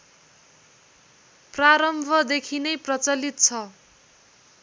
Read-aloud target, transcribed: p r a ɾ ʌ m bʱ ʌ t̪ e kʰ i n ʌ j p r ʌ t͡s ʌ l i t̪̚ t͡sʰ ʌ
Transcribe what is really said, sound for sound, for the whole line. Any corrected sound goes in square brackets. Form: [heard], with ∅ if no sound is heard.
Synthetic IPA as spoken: p r a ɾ ʌ m bʱ ʌ [d̪] e kʰ i n ʌ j p r ʌ t͡s ʌ l i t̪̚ t͡sʰ ʌ